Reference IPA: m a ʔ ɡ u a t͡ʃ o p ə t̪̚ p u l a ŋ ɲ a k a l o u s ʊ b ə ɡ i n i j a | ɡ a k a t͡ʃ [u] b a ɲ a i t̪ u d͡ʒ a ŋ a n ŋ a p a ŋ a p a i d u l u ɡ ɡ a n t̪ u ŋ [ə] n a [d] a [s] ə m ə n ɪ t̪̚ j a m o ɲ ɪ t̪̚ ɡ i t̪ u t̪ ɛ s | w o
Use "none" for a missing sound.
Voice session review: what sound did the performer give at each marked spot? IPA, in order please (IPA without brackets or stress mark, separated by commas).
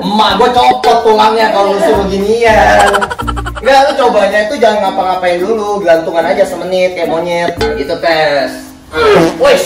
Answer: o, a, d͡ʒ, s